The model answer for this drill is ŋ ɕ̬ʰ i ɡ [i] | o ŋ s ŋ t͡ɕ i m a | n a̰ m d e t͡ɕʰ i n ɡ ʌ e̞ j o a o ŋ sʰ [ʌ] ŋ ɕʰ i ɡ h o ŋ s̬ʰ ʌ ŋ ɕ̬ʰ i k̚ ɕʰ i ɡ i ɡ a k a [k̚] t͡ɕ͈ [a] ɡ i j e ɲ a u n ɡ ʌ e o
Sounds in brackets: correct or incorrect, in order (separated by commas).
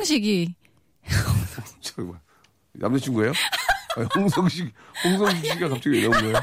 correct, correct, incorrect, incorrect